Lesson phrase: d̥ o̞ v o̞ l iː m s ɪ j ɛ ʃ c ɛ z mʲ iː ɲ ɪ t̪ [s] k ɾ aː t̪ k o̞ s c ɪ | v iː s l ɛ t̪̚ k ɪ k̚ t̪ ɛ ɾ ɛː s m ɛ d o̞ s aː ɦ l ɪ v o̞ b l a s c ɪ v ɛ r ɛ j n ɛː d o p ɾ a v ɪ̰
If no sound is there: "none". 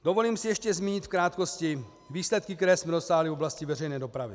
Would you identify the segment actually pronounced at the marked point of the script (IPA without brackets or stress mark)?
f